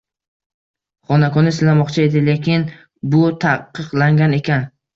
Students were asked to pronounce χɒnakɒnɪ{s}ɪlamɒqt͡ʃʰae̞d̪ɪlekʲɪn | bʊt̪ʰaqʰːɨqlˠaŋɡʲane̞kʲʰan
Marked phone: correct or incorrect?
correct